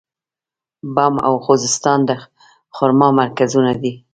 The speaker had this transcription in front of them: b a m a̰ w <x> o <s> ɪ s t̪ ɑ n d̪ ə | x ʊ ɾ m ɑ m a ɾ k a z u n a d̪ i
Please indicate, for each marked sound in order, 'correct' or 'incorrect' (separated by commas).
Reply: correct, incorrect